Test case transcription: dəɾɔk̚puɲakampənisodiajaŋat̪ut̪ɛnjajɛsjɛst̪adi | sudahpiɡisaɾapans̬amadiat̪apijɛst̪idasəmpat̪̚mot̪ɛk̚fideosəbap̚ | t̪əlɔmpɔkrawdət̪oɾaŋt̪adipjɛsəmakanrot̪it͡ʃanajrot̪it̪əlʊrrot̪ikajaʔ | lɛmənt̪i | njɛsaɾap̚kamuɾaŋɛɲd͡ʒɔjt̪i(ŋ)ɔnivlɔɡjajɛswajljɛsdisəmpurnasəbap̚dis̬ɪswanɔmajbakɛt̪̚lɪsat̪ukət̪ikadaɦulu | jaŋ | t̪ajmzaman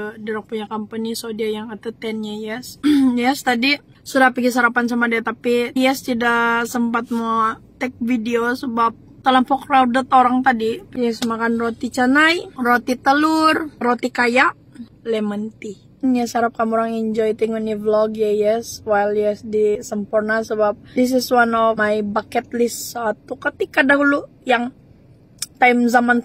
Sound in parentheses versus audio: correct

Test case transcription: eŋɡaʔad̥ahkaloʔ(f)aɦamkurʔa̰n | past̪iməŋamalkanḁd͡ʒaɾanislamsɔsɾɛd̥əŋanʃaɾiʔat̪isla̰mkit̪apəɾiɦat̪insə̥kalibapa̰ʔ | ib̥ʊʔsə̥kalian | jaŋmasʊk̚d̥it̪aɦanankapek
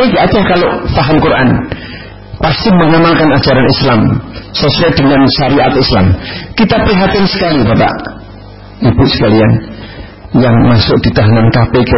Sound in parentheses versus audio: correct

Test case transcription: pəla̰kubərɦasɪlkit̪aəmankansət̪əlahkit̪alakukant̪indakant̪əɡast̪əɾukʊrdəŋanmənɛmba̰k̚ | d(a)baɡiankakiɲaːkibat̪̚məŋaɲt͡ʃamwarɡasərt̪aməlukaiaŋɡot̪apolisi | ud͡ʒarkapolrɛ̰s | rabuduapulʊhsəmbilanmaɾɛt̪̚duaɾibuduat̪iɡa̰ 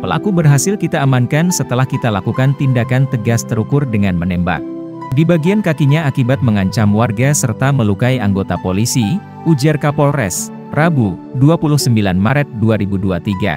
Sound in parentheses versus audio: incorrect: i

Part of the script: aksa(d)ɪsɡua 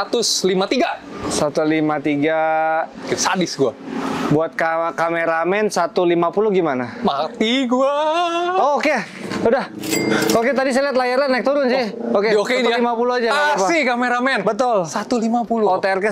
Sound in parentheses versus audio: correct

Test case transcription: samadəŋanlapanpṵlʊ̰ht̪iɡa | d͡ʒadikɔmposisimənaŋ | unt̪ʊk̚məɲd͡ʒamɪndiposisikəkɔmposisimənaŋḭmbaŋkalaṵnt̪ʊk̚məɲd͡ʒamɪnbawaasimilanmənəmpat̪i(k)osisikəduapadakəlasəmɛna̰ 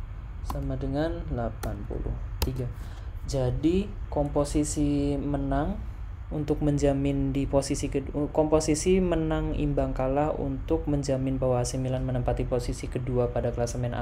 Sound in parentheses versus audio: incorrect: p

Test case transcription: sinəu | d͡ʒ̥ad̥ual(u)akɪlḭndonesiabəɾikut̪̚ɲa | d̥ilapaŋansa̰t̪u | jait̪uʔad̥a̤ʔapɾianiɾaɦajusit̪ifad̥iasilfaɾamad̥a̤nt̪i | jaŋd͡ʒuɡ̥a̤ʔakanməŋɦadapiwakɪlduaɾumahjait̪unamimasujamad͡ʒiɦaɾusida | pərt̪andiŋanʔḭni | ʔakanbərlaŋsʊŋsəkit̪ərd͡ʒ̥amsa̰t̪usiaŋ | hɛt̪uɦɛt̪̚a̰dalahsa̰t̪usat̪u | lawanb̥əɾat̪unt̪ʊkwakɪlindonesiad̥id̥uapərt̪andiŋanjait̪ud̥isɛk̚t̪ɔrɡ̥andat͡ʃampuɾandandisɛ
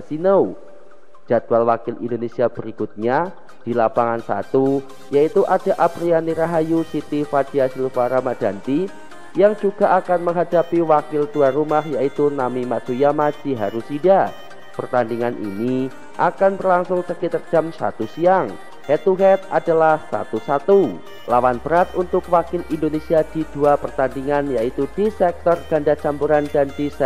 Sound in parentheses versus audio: incorrect: w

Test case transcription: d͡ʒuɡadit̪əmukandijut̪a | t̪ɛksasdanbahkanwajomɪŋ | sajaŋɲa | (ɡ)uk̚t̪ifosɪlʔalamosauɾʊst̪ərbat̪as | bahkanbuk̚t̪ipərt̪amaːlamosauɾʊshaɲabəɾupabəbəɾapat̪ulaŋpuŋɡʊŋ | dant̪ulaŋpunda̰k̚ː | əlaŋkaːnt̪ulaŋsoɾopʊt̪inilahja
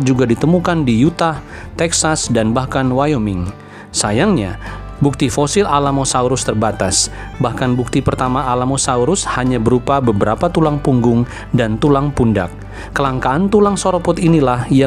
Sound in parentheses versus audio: incorrect: b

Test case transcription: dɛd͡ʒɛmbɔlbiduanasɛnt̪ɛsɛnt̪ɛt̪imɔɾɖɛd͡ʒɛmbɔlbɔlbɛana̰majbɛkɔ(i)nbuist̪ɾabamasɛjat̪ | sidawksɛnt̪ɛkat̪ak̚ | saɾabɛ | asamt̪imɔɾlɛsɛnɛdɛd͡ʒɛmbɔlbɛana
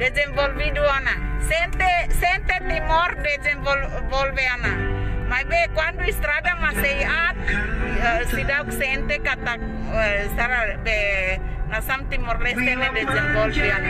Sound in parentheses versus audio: incorrect: a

